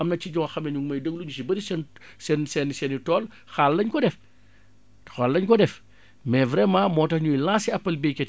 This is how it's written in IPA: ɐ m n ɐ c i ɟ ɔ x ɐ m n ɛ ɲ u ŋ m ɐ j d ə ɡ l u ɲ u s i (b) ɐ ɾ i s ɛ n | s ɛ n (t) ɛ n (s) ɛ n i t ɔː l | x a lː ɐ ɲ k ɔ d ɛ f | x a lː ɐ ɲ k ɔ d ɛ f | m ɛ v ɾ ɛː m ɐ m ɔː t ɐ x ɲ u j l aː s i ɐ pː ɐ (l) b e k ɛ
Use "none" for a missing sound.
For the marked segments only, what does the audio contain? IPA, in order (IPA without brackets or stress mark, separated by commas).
b, s, s, l